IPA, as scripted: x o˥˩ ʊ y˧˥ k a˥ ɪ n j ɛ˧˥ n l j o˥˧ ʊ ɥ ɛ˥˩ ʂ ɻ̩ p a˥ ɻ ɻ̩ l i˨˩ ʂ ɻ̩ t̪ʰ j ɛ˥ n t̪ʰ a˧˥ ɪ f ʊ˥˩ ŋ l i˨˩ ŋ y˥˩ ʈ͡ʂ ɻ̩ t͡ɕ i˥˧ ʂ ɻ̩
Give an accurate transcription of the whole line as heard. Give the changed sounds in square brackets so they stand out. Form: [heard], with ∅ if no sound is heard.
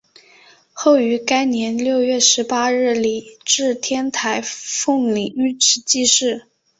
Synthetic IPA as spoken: x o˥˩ ʊ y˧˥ k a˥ ɪ n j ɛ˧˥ n l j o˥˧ ʊ ɥ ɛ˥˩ ʂ ɻ̩ p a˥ ɻ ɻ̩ l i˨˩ [ʈ͡ʂ] ɻ̩ t̪ʰ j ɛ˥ n t̪ʰ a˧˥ ɪ f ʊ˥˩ ŋ l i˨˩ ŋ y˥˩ ʈ͡ʂ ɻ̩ t͡ɕ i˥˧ ʂ ɻ̩